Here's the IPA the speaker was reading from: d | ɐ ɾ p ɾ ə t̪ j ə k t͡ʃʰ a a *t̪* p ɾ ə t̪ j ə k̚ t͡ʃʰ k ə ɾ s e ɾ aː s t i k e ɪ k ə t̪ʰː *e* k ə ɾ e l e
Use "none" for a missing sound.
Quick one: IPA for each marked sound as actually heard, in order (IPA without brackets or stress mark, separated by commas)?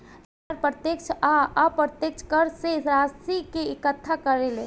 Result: none, a